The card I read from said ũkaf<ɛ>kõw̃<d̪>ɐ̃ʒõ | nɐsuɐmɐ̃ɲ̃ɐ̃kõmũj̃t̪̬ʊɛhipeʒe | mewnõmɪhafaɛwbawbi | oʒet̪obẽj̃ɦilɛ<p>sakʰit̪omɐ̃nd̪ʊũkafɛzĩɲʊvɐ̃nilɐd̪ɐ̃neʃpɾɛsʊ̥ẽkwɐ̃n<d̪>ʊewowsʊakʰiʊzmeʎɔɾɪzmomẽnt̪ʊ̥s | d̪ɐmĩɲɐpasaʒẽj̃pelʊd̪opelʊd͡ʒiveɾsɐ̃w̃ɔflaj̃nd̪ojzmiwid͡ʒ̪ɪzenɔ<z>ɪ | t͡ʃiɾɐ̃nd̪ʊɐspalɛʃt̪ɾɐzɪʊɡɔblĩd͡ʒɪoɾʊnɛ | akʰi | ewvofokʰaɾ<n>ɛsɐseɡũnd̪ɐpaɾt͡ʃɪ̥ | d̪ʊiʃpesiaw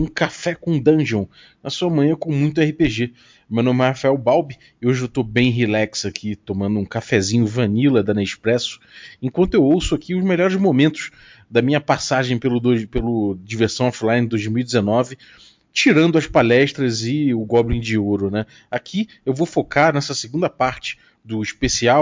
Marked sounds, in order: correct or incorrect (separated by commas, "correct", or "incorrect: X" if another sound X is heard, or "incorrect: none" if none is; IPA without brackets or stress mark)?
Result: correct, correct, incorrect: k, incorrect: t̪, incorrect: v, correct